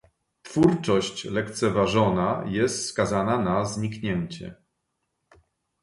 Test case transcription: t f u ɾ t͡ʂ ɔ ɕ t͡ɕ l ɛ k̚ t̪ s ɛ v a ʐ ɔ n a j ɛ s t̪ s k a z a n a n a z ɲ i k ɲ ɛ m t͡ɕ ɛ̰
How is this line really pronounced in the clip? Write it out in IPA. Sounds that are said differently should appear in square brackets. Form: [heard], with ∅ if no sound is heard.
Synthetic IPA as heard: t f u ɾ t͡ʂ ɔ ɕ t͡ɕ l ɛ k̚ t̪ s ɛ v a ʐ ɔ n a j ɛ s t̪ s k a z a n a n a z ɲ i k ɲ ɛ [ɲ] t͡ɕ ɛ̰